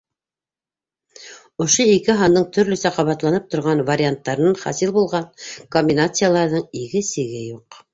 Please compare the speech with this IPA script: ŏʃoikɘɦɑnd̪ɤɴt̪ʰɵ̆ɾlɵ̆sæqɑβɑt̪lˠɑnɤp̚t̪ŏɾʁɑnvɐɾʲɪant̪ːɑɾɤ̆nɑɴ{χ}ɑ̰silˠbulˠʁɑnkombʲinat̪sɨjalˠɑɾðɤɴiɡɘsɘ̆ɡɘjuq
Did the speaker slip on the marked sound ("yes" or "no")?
no